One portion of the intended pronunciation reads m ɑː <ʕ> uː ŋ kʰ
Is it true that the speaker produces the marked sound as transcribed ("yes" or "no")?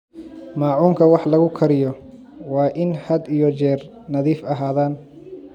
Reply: yes